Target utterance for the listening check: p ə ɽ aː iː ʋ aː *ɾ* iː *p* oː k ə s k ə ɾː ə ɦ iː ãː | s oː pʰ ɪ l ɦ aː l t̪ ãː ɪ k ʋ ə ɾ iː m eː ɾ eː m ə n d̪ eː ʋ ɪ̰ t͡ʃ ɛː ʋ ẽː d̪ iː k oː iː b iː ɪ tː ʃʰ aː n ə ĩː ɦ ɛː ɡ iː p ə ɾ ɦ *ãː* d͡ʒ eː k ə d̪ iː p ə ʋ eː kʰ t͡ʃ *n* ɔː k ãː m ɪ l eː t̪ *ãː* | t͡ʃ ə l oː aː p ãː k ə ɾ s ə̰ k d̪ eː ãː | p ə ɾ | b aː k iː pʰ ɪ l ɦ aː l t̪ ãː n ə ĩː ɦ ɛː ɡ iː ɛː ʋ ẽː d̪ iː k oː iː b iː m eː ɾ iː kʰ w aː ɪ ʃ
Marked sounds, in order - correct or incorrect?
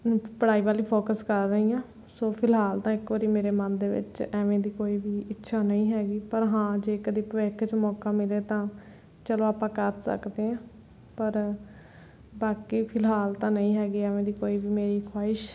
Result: incorrect: l, incorrect: pʰ, correct, incorrect: m, correct

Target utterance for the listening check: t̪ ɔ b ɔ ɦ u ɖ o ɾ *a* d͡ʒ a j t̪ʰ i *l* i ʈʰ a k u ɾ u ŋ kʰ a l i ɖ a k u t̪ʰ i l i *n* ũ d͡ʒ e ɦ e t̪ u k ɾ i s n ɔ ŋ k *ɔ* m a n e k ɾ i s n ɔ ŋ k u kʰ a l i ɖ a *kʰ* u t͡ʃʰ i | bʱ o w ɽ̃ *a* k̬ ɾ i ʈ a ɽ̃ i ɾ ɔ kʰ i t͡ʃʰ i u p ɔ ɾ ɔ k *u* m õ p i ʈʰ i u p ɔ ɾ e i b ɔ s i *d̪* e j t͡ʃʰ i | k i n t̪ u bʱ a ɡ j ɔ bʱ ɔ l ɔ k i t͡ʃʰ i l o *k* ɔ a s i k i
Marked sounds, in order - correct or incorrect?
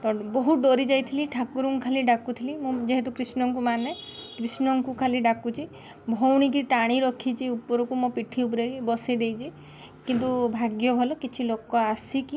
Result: incorrect: i, correct, incorrect: m, incorrect: u, incorrect: k, incorrect: i, correct, correct, correct

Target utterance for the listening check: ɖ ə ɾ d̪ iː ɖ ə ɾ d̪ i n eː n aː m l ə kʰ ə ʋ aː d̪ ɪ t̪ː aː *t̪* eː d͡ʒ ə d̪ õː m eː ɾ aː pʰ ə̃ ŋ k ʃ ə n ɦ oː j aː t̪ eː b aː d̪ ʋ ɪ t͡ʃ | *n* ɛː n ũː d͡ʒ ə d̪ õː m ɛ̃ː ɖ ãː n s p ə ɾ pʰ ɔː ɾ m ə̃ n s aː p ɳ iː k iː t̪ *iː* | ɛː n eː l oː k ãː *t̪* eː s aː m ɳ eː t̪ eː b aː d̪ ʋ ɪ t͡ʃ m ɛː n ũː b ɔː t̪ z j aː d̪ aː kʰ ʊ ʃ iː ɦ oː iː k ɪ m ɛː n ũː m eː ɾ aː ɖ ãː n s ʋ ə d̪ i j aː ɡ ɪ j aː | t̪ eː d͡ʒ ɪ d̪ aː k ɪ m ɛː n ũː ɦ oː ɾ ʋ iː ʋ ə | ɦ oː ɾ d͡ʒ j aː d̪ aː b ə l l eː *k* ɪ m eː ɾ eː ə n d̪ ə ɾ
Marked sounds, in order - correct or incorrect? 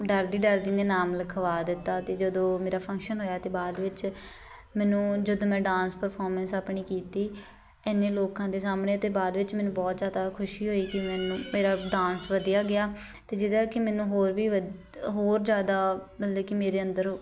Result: correct, incorrect: m, correct, incorrect: d̪, correct

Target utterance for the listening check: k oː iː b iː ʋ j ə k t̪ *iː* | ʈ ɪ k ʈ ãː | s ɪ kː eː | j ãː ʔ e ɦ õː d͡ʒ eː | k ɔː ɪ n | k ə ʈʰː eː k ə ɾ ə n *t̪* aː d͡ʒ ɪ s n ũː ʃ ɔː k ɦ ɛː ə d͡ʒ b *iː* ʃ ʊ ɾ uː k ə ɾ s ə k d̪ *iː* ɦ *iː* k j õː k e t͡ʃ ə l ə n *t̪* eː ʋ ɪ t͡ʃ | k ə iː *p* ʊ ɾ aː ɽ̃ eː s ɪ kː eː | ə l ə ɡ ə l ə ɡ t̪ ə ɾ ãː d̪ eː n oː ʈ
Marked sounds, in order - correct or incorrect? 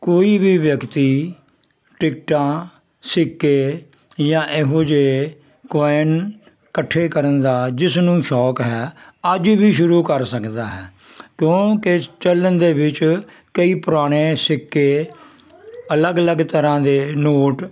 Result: correct, incorrect: d̪, correct, incorrect: aː, incorrect: ɛː, incorrect: d̪, correct

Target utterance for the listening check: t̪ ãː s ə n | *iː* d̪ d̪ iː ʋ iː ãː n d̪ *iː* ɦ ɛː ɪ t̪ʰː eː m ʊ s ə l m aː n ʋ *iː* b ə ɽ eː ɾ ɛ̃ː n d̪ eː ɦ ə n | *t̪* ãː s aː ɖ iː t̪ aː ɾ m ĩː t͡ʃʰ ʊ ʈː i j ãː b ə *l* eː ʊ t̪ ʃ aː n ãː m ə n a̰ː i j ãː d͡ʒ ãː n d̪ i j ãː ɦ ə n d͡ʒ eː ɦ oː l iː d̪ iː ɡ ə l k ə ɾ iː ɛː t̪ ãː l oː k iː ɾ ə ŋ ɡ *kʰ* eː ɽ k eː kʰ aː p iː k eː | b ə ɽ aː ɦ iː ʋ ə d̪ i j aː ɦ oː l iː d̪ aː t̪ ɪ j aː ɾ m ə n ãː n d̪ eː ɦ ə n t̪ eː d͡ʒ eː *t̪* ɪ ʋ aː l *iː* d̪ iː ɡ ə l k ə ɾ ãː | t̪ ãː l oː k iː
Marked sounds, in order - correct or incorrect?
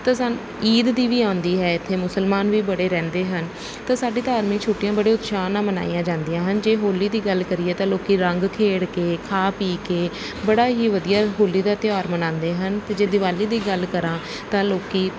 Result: correct, correct, correct, correct, incorrect: ɽ, correct, incorrect: d̪, correct

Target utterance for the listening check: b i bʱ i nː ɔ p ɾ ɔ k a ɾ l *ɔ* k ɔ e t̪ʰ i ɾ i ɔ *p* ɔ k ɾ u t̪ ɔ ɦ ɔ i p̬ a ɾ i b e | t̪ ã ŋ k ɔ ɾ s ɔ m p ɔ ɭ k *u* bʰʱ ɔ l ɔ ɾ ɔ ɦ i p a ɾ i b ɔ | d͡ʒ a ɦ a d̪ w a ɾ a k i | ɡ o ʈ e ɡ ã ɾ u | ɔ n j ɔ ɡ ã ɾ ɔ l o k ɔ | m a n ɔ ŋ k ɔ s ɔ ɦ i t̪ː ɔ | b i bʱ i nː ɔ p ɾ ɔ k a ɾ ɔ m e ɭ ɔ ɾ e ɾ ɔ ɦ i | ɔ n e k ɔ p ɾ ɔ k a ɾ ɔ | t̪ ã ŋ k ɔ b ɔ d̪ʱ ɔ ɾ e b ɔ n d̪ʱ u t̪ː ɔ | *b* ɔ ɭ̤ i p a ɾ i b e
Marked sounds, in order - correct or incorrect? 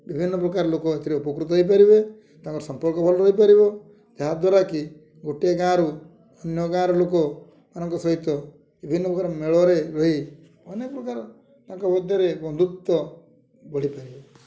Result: incorrect: o, correct, incorrect: ɔ, correct

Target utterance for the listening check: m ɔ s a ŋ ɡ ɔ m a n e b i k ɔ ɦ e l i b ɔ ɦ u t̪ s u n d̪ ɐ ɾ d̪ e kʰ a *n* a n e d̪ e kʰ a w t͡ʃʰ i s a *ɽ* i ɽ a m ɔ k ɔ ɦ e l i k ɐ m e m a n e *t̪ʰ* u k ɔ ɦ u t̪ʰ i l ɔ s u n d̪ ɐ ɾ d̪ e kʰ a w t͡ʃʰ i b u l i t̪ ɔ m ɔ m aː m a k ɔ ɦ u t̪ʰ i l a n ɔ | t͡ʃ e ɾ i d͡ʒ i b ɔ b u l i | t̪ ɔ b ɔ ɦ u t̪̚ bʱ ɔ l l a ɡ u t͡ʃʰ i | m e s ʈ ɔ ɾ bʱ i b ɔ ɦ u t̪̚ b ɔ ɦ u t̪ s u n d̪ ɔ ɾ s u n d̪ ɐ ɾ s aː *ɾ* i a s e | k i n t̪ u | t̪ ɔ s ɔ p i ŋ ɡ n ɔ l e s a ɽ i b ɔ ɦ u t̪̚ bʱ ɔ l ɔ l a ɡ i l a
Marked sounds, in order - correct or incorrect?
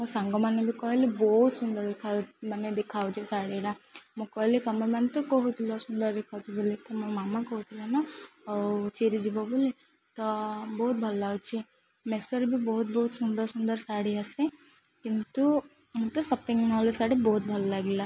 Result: incorrect: m, correct, incorrect: t̪, incorrect: ɽ

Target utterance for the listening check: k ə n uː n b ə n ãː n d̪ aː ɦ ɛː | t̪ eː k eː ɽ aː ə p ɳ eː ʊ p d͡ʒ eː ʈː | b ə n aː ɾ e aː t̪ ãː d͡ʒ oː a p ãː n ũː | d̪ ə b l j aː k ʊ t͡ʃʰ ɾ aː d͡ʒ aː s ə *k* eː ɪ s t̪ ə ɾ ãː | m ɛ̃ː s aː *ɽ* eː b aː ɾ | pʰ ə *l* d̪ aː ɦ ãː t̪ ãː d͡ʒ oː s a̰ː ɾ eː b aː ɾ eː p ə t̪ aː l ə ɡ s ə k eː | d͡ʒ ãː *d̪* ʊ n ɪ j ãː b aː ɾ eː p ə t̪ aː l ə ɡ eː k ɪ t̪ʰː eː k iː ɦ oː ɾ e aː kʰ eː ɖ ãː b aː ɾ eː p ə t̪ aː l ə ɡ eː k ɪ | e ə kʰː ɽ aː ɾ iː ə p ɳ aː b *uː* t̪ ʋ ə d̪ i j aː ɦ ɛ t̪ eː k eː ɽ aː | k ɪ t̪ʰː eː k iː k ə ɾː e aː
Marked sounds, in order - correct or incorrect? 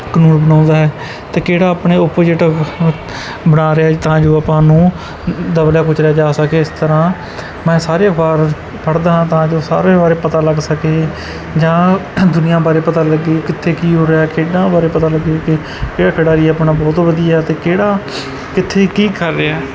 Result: correct, incorrect: ɾ, incorrect: ɽ, correct, incorrect: ɔː

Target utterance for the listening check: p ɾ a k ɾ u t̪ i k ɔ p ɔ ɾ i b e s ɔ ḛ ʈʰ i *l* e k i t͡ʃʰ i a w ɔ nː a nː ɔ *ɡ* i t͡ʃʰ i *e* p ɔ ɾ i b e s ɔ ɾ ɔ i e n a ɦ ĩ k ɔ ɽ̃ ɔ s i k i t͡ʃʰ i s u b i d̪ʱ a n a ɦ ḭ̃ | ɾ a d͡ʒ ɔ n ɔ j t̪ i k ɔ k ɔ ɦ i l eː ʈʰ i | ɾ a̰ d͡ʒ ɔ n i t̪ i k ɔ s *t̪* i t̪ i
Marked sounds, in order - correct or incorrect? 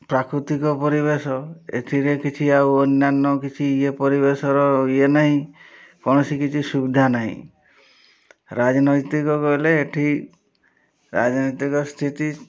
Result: incorrect: ɾ, incorrect: k, correct, incorrect: t̪ʰ

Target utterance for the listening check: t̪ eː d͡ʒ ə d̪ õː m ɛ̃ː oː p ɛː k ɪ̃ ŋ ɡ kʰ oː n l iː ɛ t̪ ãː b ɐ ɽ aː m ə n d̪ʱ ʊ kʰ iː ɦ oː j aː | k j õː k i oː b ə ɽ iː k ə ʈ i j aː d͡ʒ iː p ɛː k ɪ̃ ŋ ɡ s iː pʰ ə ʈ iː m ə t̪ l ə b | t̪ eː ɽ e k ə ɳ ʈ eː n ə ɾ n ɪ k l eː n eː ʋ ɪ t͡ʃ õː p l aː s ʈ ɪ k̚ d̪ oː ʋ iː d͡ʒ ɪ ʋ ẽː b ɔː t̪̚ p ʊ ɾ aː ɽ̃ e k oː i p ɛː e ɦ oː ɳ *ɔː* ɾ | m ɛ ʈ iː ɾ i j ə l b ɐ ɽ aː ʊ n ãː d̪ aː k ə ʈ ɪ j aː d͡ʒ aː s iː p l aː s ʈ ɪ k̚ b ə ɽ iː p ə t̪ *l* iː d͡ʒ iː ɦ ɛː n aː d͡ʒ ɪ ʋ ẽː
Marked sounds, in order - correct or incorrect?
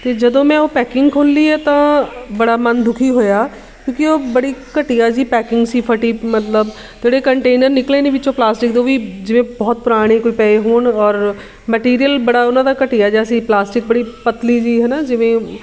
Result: correct, correct

